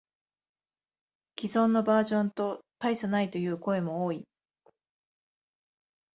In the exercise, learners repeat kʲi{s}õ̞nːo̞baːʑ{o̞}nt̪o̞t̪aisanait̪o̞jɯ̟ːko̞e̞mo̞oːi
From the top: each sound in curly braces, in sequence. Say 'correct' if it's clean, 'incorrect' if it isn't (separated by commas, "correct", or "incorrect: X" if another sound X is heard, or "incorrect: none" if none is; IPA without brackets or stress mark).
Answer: incorrect: z, incorrect: õ̞